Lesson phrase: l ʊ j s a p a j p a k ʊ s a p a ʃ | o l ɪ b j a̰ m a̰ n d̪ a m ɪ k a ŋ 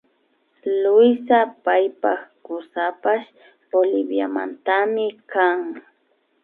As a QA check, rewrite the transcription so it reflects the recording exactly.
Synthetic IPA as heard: l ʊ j s a p a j p a k ʊ s a p a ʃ | o l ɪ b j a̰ m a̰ n t̪ a m ɪ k a ŋ